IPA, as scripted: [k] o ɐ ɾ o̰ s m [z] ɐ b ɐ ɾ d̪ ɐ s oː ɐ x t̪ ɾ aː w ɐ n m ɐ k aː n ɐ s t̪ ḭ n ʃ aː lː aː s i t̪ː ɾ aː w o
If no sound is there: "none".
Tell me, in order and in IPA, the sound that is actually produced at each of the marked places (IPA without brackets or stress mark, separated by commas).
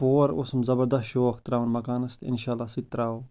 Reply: p, z